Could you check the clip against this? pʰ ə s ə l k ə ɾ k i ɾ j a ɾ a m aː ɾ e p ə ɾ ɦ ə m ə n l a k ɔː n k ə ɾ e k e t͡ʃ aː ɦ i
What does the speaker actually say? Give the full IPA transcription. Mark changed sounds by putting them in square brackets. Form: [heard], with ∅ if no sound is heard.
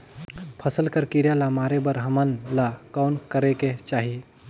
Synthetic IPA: pʰ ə s ə l k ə ɾ k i ɾ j a [l] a m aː ɾ e [b] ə ɾ ɦ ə m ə n l a k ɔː n k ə ɾ e k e t͡ʃ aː ɦ i